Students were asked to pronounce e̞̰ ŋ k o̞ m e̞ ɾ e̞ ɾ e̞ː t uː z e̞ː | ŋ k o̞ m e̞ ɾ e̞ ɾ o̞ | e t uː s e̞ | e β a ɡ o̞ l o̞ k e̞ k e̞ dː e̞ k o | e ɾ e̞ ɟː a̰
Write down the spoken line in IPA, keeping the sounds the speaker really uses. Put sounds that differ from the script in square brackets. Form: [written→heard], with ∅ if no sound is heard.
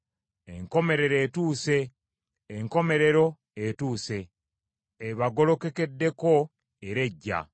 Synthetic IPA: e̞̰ ŋ k o̞ m e̞ ɾ e̞ ɾ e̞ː t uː [z→s] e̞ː | ŋ k o̞ m e̞ ɾ e̞ ɾ o̞ | e t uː s e̞ | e β a ɡ o̞ l o̞ k e̞ k e̞ dː e̞ k o | e ɾ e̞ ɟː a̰